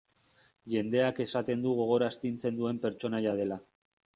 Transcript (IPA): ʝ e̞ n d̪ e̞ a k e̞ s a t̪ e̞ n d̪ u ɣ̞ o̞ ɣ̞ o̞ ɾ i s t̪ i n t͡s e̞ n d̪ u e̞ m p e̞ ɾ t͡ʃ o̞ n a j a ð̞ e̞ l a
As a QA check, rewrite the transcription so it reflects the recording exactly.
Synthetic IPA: ʝ e̞ n d̪ e̞ a k e̞ s a t̪ e̞ n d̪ u ɣ̞ o̞ ɣ̞ o̞ ɾ a s t̪ i n t͡s e̞ n d̪ u e̞ m p e̞ ɾ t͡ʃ o̞ n a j a ð̞ e̞ l a